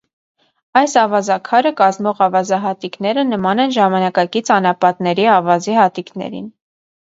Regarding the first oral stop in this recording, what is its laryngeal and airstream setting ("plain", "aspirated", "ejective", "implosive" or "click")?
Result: aspirated